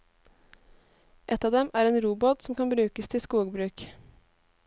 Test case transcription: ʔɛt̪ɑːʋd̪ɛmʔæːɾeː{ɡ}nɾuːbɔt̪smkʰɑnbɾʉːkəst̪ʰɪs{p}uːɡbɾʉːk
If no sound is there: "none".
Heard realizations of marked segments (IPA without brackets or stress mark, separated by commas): none, k